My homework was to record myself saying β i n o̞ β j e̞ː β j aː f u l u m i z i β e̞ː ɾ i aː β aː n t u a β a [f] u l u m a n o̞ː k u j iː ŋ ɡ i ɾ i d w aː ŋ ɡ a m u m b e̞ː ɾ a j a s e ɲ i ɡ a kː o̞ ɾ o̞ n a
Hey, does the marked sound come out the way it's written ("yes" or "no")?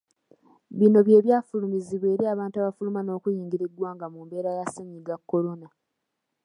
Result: yes